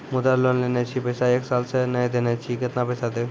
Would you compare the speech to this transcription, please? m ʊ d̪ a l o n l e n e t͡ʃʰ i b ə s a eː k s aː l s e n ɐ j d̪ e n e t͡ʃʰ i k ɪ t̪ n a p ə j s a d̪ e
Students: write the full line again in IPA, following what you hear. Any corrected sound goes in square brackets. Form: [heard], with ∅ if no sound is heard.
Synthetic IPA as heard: m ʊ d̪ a l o n l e n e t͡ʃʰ i [p] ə s a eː k s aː l s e n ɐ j d̪ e n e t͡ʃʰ i k ɪ t̪ n a p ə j s a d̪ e